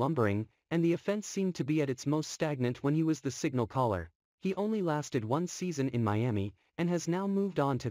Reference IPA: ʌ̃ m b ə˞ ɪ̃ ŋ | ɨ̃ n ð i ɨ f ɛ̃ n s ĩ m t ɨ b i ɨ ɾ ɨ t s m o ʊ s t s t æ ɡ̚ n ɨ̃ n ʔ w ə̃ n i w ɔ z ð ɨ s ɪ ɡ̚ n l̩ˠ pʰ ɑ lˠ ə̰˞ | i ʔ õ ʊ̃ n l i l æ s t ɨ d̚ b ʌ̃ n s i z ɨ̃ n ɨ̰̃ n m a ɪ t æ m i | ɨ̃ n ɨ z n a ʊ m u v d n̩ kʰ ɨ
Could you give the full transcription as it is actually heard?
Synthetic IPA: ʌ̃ m b ə˞ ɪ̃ ŋ | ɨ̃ n ð i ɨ f ɛ̃ n s ĩ m tʰ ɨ b i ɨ ɾ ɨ t s m o ʊ s t s t æ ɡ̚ n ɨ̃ n ʔ w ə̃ n i w ʌ z ð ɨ s ɪ ɡ̚ n l̩ˠ kʰ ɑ lˠ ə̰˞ | i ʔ õ ʊ̃ n l i l æ s t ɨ d̚ w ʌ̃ n s i z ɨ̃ n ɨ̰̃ n m a ɪ æ m i | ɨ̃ n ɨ z n a ʊ m u v d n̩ tʰ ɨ

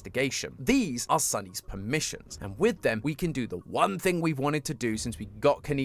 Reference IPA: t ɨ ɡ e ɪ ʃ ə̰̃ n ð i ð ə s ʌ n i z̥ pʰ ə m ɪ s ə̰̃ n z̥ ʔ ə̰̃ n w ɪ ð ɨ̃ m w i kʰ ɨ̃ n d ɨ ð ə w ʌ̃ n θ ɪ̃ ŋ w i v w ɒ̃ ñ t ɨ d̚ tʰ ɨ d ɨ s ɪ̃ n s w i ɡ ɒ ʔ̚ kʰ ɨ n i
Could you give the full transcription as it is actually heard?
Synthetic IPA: t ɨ ɡ e ɪ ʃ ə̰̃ n ð i z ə s ʌ n i z̥ pʰ ə m ɪ ʃ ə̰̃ n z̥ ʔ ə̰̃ n w ɪ ð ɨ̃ m w i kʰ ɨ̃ n d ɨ ð ə w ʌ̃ n θ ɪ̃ ŋ w i v w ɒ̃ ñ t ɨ d̚ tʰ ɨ d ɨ s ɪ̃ n s w i ɡ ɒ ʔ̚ kʰ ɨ n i

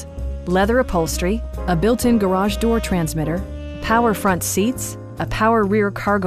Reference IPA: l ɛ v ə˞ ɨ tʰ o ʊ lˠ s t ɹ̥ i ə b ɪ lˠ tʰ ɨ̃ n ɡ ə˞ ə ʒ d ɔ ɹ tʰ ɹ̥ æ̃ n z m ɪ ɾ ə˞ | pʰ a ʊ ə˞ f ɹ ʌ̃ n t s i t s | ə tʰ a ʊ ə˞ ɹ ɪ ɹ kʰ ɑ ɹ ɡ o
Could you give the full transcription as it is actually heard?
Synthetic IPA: l ɛ ð ə˞ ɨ pʰ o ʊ lˠ s t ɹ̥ i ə b ɪ lˠ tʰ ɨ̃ n ɡ ə˞ ɑ ʒ d ɔ ɹ tʰ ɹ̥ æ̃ n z m ɪ ɾ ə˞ | pʰ a ʊ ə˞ f ɹ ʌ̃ n t s i t s | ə pʰ a ʊ ə˞ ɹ ɪ ɹ kʰ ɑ ɹ ɡ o

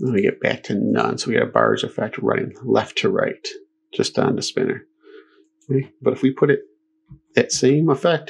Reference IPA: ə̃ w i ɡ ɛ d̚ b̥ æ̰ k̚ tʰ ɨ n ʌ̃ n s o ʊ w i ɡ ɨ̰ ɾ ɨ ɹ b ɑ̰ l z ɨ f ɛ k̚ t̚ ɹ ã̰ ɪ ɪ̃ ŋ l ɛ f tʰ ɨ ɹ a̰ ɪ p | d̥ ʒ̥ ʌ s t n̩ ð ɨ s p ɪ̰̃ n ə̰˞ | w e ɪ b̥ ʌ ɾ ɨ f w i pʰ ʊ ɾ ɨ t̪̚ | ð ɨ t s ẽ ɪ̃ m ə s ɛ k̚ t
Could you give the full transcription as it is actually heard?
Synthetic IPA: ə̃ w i ɡ ɛ t̚ b̥ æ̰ k̚ tʰ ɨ n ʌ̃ n s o ʊ w i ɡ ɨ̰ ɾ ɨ b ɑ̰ ɹ z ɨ f ɛ k̚ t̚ ɹ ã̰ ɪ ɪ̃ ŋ l ɛ f tʰ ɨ ɹ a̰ ɪ t | d̥ ʒ̥ ʌ s t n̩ ð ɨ s p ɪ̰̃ n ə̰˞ | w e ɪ b̥ ʌ ɾ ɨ f w i pʰ ʊ ɾ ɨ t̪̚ | ð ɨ t s ẽ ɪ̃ m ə f ɛ k̚ t

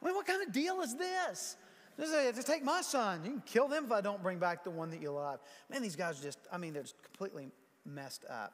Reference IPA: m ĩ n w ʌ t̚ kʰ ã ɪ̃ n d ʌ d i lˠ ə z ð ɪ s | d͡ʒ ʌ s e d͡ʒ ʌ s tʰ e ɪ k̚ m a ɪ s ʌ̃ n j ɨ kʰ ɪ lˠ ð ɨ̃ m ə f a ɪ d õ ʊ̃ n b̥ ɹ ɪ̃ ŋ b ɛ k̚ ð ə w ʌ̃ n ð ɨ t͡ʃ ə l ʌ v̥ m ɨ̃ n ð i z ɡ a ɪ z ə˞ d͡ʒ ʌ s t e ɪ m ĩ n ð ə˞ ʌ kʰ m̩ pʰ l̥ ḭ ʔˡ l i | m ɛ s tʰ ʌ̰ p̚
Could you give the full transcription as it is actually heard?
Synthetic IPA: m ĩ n w ʌ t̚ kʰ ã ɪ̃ n d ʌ d i lˠ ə z ð ɪ s | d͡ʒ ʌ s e d͡ʒ ʌ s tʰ e ɪ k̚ m a ɪ s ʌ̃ n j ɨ kʰ ɪ lˠ ð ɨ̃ m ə f a ɪ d õ ʊ̃ n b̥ ɹ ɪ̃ ŋ b æ k̚ ð ə w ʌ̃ n ð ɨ t͡ʃ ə l ʌ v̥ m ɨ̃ n ð i z ɡ a ɪ z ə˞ d͡ʒ ʌ s t a ɪ m ĩ n ð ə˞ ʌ kʰ m̩ pʰ l̥ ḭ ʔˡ l i | m ɛ s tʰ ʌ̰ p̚

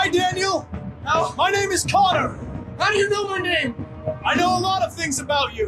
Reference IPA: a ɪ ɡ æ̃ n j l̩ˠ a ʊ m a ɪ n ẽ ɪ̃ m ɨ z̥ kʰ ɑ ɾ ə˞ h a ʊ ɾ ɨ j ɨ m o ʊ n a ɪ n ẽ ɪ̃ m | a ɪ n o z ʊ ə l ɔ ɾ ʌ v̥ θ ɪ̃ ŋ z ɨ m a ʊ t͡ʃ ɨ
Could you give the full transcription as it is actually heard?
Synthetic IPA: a ɪ d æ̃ n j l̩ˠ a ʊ m a ɪ n ẽ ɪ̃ m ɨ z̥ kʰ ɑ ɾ ə˞ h a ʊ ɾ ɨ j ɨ n o ʊ m a ɪ n ẽ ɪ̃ m | a ɪ n o ʊ ə l ɔ ɾ ʌ v̥ θ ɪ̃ ŋ z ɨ b a ʊ t͡ʃ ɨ

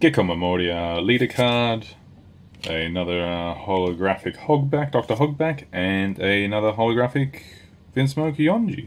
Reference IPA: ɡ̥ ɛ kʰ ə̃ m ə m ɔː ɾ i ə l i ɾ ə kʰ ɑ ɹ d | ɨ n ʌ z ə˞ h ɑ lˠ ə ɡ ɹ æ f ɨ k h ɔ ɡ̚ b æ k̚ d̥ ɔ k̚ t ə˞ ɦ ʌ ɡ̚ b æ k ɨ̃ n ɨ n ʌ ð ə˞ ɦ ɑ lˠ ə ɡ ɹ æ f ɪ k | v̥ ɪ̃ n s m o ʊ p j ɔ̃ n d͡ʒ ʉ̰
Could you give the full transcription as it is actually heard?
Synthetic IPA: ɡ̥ ɛ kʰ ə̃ m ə m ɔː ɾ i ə l i ɾ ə kʰ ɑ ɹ d | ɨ n ʌ ð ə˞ h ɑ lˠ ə ɡ ɹ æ f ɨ k h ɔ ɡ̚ b æ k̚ d̥ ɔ k̚ t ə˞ ɦ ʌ ɡ̚ b æ k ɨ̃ n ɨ n ʌ ð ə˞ ɦ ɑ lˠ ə ɡ ɹ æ f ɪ k | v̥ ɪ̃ n s m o ʊ k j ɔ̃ n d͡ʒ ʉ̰

